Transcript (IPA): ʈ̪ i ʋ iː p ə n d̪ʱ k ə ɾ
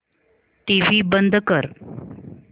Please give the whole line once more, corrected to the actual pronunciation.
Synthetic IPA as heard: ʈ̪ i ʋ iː b ə n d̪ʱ k ə ɾ